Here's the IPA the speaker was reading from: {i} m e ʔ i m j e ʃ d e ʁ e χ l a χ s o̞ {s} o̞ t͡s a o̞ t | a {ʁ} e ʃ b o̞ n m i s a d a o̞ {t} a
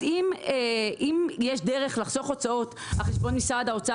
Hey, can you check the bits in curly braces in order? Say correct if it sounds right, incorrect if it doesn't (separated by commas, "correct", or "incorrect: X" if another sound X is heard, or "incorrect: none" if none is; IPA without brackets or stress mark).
correct, incorrect: χ, incorrect: χ, incorrect: t͡s